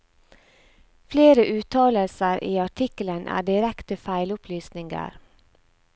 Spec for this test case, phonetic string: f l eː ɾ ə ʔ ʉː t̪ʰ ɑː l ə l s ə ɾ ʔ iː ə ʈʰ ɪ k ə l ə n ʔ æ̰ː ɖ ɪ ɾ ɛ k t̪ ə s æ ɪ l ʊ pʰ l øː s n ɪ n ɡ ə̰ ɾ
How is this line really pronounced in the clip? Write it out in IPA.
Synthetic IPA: f l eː ɾ ə ʔ ʉː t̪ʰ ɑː l ə l s ə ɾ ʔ iː ɑ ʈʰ ɪ k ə l ə n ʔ æ̰ː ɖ ɪ ɾ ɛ k t̪ ə f æ ɪ l ʊ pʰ l yː s n ɪ ŋ ɡ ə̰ ɾ